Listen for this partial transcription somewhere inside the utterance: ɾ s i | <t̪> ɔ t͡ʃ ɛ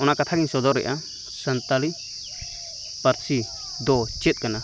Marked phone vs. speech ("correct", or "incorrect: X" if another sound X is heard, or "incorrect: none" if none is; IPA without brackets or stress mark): incorrect: d̪